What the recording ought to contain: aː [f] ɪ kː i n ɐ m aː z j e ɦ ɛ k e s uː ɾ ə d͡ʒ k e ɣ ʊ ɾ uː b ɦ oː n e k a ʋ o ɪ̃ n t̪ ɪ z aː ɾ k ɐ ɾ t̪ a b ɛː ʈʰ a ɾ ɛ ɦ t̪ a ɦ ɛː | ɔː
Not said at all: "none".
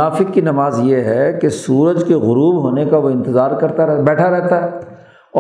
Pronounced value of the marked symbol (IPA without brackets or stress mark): f